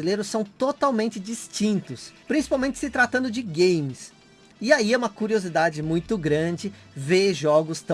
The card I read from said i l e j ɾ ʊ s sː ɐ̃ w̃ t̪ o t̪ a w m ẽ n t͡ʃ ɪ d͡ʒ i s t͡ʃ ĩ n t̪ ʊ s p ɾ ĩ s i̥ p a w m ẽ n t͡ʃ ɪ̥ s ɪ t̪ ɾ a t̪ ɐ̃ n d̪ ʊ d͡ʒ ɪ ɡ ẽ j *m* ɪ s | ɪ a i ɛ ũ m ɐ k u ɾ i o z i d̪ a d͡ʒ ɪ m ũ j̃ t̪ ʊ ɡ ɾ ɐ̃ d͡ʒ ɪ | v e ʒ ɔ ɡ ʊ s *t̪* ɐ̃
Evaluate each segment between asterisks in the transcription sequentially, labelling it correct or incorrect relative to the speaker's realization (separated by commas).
correct, correct